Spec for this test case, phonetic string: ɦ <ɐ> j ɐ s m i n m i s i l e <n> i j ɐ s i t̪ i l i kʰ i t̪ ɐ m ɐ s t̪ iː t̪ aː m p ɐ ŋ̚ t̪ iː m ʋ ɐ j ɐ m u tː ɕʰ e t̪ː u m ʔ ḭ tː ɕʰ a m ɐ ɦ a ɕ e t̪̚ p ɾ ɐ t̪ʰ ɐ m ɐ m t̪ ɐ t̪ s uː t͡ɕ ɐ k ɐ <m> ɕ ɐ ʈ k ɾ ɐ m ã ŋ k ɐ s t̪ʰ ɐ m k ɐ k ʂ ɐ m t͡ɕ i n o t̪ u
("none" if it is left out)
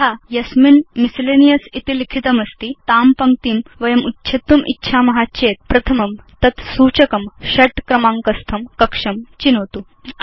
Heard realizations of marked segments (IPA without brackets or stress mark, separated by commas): a, n, m